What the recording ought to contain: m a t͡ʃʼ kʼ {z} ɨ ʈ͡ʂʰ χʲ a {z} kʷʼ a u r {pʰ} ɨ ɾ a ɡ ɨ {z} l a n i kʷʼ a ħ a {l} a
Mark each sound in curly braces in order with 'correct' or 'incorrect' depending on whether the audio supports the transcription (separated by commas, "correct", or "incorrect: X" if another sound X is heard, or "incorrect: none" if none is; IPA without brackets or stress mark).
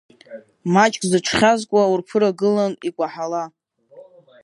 correct, correct, correct, incorrect: none, correct